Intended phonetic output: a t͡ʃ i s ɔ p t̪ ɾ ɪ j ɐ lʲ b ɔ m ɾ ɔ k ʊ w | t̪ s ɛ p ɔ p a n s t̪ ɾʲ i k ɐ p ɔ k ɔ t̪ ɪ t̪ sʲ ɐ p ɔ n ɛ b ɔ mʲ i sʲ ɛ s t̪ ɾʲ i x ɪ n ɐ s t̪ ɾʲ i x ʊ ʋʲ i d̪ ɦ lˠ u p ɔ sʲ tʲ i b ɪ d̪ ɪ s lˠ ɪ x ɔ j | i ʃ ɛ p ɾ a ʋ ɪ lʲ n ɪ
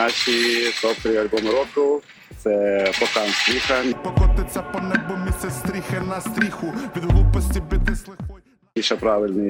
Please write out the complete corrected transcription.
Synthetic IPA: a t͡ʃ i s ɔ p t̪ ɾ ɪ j ɐ lʲ b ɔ m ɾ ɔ k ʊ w | t̪ s ɛ p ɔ k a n s t̪ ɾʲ i x ɐ p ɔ k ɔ t̪ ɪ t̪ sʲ ɐ p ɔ n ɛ b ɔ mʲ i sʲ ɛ s t̪ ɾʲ i x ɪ n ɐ s t̪ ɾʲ i x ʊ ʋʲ i d̪ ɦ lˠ u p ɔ sʲ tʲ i b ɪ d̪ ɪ s lˠ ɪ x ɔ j | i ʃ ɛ p ɾ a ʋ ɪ lʲ n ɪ